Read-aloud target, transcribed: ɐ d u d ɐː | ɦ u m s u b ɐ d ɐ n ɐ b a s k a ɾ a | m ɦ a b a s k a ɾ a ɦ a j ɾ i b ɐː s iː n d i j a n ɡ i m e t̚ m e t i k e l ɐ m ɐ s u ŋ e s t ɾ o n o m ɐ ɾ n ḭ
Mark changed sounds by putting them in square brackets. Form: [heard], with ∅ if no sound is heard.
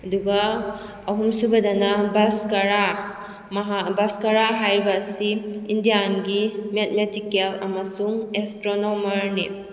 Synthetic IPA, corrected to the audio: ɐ d u [ɡ] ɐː | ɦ u m s u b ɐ d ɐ n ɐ b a s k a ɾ a | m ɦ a b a s k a ɾ a ɦ a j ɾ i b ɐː s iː n d i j a n ɡ i m e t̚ m e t i k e l ɐ m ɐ s u ŋ e s t ɾ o n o m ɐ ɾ n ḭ